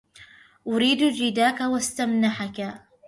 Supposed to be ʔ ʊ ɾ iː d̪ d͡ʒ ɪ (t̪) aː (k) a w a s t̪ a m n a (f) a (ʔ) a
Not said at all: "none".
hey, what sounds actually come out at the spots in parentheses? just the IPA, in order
d̪, k, ħ, k

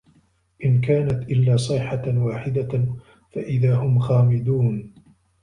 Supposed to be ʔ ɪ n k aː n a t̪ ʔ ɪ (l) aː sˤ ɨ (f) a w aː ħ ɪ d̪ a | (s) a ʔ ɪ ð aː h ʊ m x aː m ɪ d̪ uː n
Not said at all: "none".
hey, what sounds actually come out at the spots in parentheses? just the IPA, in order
lː, ħ, f

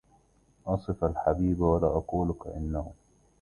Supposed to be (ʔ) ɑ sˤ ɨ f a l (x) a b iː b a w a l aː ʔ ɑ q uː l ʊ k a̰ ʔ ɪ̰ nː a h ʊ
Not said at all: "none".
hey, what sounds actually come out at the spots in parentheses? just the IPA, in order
ʔ, ħ

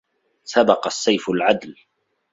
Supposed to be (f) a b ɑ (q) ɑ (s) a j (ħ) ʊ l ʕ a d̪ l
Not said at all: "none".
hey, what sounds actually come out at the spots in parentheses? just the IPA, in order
s, q, sː, f

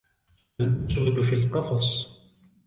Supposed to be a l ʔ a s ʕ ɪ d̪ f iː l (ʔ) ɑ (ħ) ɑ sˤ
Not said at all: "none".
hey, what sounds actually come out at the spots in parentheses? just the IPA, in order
q, f

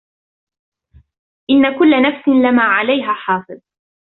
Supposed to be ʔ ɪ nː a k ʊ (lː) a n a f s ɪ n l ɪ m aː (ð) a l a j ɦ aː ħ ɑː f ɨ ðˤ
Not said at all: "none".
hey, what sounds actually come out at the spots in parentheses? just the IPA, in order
lː, ʕ

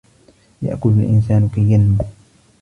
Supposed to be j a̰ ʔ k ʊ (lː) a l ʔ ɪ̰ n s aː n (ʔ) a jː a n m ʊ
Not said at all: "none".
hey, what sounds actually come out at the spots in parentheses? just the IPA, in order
l, k

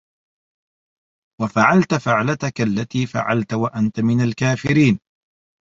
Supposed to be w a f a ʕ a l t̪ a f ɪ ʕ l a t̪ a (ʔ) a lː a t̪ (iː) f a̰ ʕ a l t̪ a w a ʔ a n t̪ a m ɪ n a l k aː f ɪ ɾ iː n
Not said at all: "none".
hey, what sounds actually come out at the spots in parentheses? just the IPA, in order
k, iː

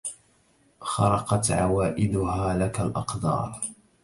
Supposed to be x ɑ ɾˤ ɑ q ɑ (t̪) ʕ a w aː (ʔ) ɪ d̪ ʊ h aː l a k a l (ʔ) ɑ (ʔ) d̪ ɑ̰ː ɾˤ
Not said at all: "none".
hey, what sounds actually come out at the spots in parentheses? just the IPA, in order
t̪, ʔ, ʔ, q

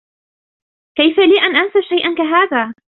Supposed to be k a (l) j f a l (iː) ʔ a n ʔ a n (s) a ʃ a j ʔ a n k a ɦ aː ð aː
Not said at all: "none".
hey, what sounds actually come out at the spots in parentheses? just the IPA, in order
none, iː, s

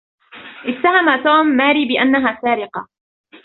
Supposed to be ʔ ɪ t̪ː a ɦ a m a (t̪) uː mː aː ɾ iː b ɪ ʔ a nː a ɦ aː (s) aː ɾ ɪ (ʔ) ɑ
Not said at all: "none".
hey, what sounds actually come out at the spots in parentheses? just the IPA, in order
t̪, s, q

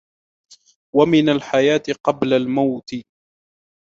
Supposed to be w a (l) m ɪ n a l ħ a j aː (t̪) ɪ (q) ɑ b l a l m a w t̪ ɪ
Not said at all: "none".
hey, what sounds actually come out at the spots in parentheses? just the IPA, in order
none, t̪, q

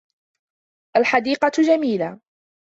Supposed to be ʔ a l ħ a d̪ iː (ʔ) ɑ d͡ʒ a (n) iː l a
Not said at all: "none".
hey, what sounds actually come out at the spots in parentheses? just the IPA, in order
q, m

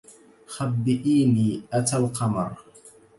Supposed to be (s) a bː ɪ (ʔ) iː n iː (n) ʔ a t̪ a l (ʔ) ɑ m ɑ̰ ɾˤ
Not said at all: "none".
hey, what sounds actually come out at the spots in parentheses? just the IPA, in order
x, ʔ, none, q

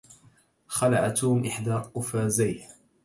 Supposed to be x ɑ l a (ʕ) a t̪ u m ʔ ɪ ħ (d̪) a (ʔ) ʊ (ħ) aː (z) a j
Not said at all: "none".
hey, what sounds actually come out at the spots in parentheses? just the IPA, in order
ʕ, d̪, q, f, z

